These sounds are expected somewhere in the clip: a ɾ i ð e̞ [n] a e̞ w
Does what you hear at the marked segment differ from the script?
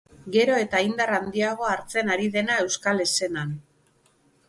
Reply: no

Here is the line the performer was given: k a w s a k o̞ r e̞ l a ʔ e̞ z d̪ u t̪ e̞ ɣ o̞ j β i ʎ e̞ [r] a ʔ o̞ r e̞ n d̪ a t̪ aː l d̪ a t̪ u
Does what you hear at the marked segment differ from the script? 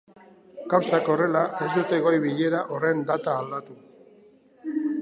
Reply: yes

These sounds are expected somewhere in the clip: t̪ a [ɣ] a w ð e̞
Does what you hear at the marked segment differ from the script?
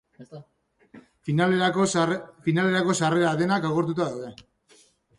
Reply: yes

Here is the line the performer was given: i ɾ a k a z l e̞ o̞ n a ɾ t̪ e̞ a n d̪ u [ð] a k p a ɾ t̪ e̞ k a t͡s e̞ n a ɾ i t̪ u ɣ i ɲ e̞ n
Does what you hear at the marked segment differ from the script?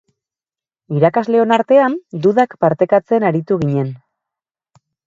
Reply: no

